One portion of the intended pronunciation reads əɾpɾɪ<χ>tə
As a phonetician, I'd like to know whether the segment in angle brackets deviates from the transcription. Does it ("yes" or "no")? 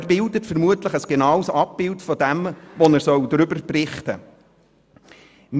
no